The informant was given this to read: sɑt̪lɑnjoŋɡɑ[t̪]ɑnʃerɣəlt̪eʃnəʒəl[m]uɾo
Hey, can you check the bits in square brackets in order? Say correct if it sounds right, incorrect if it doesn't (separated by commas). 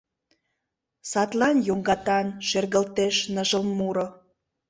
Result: correct, correct